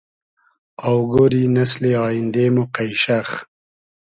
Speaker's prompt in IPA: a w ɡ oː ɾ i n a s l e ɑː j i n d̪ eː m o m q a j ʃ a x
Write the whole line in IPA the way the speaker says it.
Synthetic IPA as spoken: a w ɡ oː ɾ i n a s l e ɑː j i n d̪ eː m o q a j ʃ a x